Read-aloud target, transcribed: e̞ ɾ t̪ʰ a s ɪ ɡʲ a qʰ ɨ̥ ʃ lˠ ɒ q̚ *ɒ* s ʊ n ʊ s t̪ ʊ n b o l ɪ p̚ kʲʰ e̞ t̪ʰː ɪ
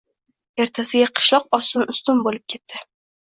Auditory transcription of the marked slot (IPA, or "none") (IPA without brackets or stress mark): ɒ